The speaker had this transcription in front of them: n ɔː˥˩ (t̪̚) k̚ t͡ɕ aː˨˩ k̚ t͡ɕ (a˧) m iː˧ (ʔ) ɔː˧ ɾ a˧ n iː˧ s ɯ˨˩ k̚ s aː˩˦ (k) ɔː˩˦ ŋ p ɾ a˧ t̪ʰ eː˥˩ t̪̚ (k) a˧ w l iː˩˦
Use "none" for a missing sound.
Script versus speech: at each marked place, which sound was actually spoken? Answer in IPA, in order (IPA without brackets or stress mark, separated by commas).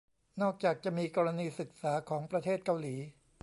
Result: none, a˨˩, k, kʰ, k